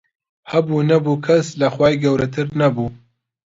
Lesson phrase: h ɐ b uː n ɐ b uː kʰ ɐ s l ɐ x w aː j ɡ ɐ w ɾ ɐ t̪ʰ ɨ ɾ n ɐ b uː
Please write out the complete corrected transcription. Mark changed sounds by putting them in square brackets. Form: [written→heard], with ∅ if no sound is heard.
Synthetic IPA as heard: h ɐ b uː n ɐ b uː kʰ ɐ s l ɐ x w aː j ɡ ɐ w ɾ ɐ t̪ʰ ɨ ɾ n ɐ b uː